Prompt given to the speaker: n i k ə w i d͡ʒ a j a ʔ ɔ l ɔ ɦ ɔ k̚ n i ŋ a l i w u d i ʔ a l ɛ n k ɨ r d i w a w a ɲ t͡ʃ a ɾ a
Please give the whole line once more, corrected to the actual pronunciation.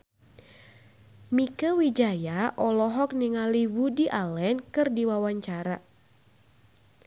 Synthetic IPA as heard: m i k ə w i d͡ʒ a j a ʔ ɔ l ɔ ɦ ɔ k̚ n i ŋ a l i w u d i ʔ a l ɛ n k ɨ r d i w a w a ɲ t͡ʃ a ɾ a